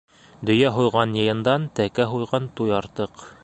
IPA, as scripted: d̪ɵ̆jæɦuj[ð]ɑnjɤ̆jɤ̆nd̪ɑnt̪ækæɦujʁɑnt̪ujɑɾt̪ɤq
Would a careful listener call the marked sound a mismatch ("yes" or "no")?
yes